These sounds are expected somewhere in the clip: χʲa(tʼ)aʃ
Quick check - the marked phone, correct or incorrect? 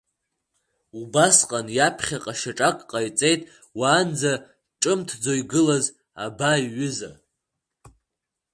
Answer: incorrect